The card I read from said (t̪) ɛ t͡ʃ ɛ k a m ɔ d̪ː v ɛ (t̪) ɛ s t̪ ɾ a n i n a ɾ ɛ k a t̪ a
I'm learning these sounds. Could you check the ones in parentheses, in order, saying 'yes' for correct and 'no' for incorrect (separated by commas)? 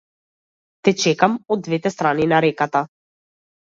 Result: yes, yes